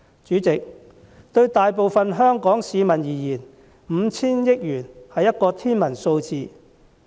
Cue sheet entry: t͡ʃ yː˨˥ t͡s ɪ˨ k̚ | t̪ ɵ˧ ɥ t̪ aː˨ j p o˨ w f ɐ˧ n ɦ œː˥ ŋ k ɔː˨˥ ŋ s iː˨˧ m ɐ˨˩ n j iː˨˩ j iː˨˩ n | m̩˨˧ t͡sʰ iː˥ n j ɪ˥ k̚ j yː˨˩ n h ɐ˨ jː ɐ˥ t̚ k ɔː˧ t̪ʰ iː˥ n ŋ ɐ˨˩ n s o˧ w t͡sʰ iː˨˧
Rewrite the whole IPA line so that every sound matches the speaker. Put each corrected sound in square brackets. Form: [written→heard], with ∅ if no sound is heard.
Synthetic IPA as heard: t͡ʃ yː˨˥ t͡s ɪ˨ k̚ | t̪ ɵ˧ ɥ t̪ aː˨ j p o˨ w f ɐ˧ n ɦ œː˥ ŋ k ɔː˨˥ ŋ s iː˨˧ m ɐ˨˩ n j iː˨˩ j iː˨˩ n | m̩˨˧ t͡sʰ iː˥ n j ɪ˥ k̚ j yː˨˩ n h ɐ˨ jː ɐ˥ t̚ k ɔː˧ t̪ʰ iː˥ n [ŋ→m] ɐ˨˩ n s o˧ w [t͡sʰ→t͡s] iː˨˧